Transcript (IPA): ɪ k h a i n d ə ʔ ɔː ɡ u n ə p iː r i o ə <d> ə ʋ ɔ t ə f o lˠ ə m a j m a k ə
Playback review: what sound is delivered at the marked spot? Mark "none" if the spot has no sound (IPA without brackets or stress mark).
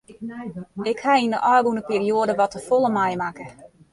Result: d